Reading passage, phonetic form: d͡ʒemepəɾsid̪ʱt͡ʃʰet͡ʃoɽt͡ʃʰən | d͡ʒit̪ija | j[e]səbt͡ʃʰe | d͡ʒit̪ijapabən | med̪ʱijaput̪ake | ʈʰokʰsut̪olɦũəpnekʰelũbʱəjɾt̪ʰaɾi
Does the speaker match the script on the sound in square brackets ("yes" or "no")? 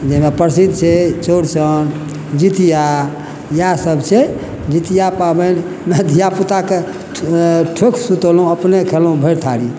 no